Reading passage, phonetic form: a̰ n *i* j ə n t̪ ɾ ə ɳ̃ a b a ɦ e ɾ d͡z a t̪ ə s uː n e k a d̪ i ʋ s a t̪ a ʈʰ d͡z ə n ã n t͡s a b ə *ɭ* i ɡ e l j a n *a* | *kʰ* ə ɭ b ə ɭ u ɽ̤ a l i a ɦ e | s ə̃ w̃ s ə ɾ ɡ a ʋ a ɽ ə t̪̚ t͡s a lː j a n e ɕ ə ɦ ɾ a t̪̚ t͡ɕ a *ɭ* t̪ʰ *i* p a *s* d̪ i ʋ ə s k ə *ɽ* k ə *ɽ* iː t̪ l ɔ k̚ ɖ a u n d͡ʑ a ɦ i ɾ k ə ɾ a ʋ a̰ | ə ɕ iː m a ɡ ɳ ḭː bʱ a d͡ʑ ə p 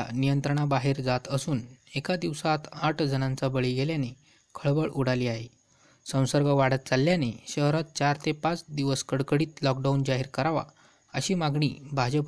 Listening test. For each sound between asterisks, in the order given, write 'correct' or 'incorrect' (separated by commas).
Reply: correct, correct, incorrect, correct, incorrect, incorrect, incorrect, correct, correct